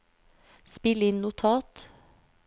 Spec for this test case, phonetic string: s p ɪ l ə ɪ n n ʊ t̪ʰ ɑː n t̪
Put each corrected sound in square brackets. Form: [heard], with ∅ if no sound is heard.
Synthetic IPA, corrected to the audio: s p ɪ l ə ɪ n n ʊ t̪ʰ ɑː [∅] t̪

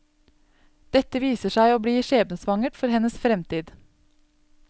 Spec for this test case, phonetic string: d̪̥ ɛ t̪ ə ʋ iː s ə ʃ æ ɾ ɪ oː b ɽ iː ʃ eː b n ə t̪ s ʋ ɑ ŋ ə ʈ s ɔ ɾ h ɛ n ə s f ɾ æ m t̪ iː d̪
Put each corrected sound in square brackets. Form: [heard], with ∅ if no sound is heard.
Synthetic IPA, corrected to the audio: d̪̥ ɛ t̪ ə ʋ iː s ə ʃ æ [∅] ɪ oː b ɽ iː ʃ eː b n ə [∅] s ʋ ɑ ŋ ə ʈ [f] ɔ ɾ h ɛ n ə s f ɾ [ɛ] m t̪ iː d̪

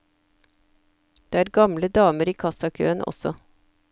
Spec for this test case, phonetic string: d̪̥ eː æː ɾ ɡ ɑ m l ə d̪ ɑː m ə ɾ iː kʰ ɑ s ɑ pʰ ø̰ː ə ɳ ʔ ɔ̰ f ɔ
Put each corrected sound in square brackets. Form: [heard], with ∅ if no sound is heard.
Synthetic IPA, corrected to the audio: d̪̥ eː æː ɾ ɡ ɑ m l ə d̪ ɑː m ə ɾ iː kʰ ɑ s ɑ [kʰ] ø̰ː ə [n] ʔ ɔ̰ [s] ɔ

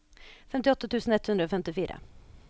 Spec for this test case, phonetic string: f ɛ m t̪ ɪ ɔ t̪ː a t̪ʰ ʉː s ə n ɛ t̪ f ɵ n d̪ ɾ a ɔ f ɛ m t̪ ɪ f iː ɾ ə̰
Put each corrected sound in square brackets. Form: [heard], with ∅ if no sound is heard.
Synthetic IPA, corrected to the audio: f ɛ m t̪ ɪ ɔ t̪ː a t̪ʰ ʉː s ə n ɛ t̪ [h] ɵ n d̪ ɾ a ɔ f ɛ m t̪ ɪ f iː ɾ [a̰]

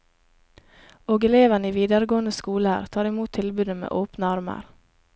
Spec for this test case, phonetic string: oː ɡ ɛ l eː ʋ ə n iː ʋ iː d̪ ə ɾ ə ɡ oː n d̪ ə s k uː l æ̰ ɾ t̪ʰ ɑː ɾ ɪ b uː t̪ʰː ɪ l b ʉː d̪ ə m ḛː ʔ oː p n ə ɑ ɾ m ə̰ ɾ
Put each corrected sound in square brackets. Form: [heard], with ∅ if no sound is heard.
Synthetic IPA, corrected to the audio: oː ɡ ɛ l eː ʋ ə n iː ʋ iː d̪ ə ɾ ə ɡ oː n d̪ ə s k uː l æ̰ ɾ t̪ʰ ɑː ɾ ɪ [m] uː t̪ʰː ɪ l b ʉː d̪ ə m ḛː ʔ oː p n ə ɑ ɾ m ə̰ ɾ

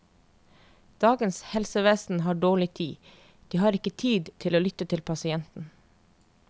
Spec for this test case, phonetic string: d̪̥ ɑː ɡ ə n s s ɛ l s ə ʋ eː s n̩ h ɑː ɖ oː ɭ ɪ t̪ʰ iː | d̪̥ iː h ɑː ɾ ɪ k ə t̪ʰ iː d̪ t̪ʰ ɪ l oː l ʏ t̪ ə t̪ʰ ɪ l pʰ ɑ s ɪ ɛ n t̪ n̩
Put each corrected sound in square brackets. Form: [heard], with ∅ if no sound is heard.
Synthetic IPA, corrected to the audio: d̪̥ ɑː ɡ ə n s [h] ɛ l s ə ʋ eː s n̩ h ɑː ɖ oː ɭ ɪ t̪ʰ iː | d̪̥ iː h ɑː ɾ ɪ k ə t̪ʰ iː d̪ t̪ʰ ɪ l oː l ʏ t̪ ə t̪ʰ ɪ l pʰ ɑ s ɪ ɛ n t̪ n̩

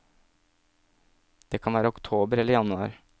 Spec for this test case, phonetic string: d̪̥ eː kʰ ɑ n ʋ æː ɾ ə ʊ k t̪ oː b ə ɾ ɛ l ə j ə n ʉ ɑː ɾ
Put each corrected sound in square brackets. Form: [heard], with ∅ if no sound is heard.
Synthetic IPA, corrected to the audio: d̪̥ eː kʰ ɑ n ʋ æː ɾ ə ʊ k [t̪ʰ] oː b ə ɾ ɛ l ə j [ɑ] n ʉ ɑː ɾ

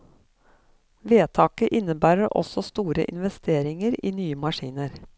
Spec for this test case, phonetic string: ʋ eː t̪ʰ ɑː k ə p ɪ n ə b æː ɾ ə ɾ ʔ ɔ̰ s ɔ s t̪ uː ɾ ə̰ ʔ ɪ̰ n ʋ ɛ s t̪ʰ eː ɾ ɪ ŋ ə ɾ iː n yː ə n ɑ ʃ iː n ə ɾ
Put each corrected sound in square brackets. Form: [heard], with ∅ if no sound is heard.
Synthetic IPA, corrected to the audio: ʋ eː t̪ʰ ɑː k ə [ʔ] ɪ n ə b æː ɾ ə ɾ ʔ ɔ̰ s ɔ s t̪ uː ɾ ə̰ ʔ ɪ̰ n ʋ ɛ s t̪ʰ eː ɾ ɪ ŋ ə ɾ iː n yː ə [m] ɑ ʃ iː n ə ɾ

